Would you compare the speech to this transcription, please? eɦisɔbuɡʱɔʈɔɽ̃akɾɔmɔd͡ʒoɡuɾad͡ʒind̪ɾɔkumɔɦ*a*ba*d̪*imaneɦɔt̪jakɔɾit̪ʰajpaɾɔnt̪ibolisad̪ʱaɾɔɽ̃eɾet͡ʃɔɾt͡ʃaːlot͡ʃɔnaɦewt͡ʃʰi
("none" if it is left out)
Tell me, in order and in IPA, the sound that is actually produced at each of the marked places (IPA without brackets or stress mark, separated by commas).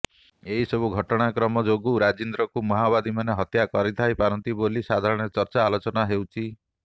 a, d̪